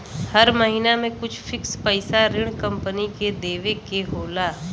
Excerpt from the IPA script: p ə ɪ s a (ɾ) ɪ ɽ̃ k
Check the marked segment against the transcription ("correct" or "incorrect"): correct